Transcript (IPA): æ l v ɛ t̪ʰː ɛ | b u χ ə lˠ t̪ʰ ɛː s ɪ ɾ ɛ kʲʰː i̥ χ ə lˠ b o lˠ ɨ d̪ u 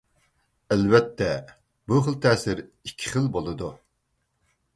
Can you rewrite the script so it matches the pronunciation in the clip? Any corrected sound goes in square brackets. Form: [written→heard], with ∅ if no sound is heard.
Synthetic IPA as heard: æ l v ɛ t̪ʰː ɛ | b u χ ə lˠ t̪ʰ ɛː s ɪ ɾ [ɛ→i] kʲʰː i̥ χ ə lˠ b o lˠ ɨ d̪ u